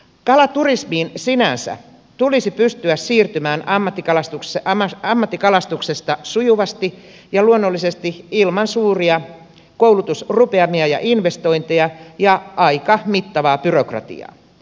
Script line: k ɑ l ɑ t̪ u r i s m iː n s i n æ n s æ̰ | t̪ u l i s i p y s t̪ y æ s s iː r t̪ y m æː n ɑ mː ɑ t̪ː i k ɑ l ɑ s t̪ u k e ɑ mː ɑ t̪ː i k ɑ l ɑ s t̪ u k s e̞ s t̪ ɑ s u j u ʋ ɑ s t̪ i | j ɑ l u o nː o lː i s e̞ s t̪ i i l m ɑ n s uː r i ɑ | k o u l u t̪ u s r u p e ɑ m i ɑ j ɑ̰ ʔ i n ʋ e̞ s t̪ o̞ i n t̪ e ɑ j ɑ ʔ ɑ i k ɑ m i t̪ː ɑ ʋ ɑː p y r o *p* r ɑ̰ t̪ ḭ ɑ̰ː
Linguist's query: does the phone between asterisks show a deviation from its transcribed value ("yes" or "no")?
yes